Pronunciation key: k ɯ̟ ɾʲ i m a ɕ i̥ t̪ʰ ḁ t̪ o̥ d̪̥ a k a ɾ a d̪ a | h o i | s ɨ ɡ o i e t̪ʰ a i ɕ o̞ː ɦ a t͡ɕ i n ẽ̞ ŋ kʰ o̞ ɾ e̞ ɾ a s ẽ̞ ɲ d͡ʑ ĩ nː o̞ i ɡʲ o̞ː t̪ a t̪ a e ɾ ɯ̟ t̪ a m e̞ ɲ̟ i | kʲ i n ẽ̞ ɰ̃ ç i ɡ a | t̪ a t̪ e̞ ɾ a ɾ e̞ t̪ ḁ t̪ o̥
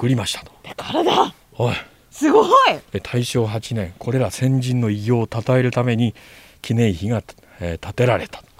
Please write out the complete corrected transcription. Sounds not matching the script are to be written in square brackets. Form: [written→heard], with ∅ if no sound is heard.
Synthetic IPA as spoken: k ɯ̟ ɾʲ i m a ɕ i̥ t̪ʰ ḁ t̪ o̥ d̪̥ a k a ɾ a d̪ a | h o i | s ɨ ɡ o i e t̪ʰ a i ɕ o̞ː ɦ a t͡ɕ i n ẽ̞ ŋ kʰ o̞ ɾ e̞ ɾ a s ẽ̞ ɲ d͡ʑ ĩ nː o̞ i ɡʲ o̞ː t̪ a t̪ a e ɾ ɯ̟ t̪ a m e̞ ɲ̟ i | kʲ i n ẽ̞ ɰ̃ ç i ɡ a | t̪ a t̪ e̞ ɾ a ɾ e̞ t̪ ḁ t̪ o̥